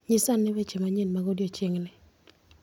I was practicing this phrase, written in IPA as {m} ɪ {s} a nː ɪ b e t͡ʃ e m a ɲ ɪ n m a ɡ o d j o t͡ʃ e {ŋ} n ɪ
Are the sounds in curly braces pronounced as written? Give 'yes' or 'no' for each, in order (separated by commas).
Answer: no, yes, yes